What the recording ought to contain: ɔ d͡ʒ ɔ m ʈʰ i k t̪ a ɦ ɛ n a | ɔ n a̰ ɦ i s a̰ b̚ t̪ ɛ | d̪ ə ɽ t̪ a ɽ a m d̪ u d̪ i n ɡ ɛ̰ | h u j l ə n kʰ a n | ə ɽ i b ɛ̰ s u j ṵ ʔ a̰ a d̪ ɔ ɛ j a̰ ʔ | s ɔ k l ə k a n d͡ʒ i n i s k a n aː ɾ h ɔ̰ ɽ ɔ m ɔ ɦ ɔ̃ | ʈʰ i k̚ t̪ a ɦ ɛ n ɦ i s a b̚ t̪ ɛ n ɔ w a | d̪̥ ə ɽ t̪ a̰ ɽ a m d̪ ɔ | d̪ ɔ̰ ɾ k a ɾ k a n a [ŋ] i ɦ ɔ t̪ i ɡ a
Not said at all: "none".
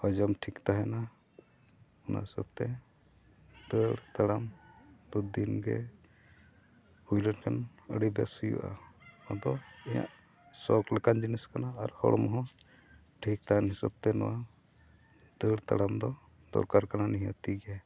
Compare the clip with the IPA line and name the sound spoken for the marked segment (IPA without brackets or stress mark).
n